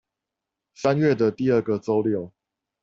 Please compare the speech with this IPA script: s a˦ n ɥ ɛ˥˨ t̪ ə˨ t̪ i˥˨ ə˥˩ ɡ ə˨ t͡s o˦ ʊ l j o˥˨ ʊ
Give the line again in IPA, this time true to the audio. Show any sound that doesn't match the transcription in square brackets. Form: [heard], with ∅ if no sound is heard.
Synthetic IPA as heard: s a˦ n ɥ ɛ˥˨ [d̪] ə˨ t̪ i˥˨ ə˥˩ ɡ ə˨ t͡s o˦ ʊ l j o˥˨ ʊ